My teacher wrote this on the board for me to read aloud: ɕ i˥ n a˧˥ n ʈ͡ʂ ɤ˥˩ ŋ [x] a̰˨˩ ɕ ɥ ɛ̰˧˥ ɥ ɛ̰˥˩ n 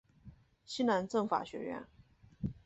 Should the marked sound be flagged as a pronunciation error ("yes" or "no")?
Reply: yes